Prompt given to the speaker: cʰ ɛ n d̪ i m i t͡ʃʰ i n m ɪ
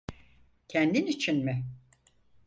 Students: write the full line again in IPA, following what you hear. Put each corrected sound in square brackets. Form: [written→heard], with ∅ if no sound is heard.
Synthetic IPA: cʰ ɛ n d̪ i [m→n] i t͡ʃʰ i n m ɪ